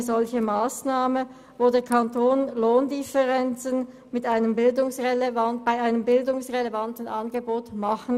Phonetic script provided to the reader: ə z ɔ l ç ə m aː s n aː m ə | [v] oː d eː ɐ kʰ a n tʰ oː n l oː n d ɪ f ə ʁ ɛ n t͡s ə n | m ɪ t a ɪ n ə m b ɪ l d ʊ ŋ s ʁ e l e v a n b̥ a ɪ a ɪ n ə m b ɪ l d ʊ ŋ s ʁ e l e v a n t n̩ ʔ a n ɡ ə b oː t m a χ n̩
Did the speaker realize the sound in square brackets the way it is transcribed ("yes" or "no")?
yes